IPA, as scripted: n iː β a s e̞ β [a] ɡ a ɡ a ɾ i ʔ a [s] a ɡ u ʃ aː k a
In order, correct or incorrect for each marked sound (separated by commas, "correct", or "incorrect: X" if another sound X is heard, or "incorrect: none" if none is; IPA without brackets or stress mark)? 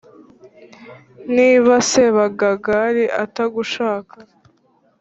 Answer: correct, incorrect: t